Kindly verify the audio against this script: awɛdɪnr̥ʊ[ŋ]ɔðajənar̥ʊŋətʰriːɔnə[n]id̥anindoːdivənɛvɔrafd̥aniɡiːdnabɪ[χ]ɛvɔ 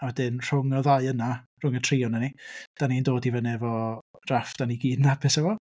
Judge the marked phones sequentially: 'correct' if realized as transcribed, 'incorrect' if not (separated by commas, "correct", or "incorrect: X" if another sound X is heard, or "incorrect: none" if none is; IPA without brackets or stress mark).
correct, correct, incorrect: s